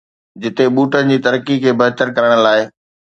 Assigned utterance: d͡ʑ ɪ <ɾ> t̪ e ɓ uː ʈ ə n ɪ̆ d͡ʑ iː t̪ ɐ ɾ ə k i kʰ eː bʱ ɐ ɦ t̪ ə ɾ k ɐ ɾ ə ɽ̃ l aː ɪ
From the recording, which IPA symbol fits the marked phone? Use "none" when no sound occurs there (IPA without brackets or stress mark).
none